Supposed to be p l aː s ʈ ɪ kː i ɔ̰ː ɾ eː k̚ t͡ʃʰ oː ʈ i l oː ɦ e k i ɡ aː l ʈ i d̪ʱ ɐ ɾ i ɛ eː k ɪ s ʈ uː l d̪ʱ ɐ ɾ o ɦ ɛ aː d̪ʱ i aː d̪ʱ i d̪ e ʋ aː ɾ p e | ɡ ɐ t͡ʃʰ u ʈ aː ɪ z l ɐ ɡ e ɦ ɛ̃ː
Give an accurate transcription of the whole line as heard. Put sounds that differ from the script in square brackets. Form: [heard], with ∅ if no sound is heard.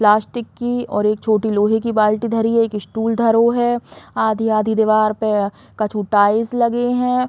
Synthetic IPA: p l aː s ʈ ɪ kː i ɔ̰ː ɾ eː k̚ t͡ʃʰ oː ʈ i l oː ɦ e k i [b] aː l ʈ i d̪ʱ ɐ ɾ i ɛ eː k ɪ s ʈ uː l d̪ʱ ɐ ɾ o ɦ ɛ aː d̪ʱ i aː d̪ʱ i d̪ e ʋ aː ɾ p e | [k] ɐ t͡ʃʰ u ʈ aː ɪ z l ɐ ɡ e ɦ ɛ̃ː